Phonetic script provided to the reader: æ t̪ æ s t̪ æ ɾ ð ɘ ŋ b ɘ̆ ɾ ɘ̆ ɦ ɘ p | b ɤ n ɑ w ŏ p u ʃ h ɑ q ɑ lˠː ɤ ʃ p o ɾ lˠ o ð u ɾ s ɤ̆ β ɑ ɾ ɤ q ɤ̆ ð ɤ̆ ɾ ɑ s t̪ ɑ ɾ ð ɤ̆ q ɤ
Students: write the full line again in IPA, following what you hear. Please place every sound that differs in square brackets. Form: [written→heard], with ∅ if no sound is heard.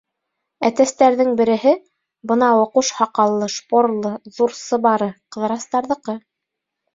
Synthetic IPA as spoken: æ t̪ æ s t̪ æ ɾ ð ɘ ŋ b ɘ̆ ɾ ɘ̆ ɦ ɘ [p→∅] | b ɤ n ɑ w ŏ [p→q] u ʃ h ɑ q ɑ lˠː ɤ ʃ p o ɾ lˠ [o→ɤ] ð u ɾ s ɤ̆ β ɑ ɾ ɤ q ɤ̆ ð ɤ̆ ɾ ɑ s t̪ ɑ ɾ ð ɤ̆ q ɤ